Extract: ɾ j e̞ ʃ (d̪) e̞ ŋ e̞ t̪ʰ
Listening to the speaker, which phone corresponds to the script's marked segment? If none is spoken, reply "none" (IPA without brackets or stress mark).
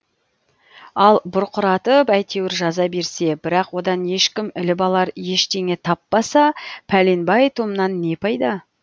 t̪